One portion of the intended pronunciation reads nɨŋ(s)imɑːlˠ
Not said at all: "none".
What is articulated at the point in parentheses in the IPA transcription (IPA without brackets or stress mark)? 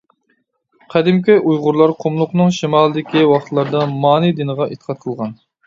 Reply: ʃ